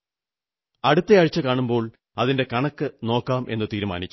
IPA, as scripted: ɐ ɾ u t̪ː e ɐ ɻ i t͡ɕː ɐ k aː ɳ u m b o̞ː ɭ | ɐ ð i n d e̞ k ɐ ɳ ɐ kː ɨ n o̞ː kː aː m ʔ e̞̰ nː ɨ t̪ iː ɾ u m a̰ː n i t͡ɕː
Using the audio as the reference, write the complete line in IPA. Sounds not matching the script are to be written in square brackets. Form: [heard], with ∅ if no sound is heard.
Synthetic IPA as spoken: ɐ [ɽ] u t̪ː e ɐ ɻ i t͡ɕː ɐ k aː ɳ u m b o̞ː ɭ | ɐ ð i n d e̞ k ɐ ɳ ɐ kː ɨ n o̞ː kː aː m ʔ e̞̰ nː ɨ t̪ iː ɾ u m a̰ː n i t͡ɕː

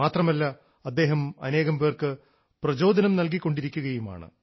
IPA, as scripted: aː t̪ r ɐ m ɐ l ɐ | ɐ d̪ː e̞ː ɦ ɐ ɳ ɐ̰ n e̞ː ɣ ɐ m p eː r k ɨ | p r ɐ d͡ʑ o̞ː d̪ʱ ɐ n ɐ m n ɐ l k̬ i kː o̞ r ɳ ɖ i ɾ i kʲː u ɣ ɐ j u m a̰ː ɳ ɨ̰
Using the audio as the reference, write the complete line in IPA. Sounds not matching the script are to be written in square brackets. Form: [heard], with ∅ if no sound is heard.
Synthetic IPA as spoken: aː t̪ r ɐ m ɐ [lː] ɐ | ɐ d̪ː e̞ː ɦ ɐ [m] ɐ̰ n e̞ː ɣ ɐ m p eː r k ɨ | p r ɐ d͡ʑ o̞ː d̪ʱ ɐ n ɐ m n ɐ l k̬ i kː o̞ [∅] ɳ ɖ i ɾ i kʲː u ɣ ɐ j u m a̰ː ɳ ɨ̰

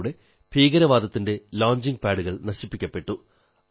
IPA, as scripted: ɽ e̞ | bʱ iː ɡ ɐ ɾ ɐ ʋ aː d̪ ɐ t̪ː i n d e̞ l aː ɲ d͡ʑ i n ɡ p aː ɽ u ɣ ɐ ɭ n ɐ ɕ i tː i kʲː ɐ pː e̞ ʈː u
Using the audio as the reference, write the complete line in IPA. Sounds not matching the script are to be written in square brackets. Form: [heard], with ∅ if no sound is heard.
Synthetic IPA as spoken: ɽ e̞ | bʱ iː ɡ ɐ ɾ ɐ ʋ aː d̪ ɐ t̪ː i n d e̞ l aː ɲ d͡ʑ i [ŋ] ɡ p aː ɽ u ɣ ɐ ɭ n ɐ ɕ i [pː] i kʲː ɐ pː e̞ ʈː u

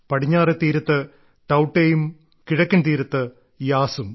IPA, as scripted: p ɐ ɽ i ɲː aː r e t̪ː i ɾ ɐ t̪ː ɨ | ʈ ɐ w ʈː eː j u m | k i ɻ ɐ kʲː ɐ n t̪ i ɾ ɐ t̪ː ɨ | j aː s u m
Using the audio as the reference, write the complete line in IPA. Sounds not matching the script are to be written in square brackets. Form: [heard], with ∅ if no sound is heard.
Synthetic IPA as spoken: p ɐ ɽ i ɲː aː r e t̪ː [iː] ɾ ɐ t̪ː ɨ | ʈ ɐ w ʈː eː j u m | k i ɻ ɐ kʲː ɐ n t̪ [iː] ɾ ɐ t̪ː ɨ | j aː s u m

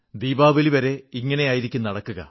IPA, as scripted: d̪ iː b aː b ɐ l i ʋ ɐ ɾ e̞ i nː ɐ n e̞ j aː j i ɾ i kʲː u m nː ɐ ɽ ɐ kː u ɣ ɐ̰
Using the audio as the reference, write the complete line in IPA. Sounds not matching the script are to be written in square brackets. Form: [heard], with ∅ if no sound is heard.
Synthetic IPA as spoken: d̪ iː b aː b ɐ l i ʋ ɐ ɾ e̞ i [ŋː] ɐ n e̞ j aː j i ɾ i kʲː u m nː ɐ ɽ ɐ kː u ɣ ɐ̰

